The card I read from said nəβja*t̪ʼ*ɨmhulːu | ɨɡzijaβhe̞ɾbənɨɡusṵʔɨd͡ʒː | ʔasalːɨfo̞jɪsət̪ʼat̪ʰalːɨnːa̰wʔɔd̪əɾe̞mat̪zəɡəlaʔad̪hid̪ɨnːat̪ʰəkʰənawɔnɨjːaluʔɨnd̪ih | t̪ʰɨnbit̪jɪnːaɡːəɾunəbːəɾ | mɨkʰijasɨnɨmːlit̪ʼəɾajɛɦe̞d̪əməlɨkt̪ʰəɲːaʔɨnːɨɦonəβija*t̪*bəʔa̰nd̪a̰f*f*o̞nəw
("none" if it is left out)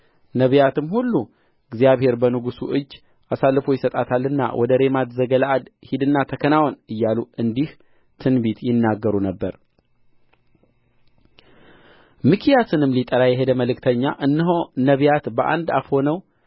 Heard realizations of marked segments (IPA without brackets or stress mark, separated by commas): t̪, t̪, h